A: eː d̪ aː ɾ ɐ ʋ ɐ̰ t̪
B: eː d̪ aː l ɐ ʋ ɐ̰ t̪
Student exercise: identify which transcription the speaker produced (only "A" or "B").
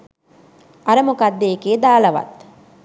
B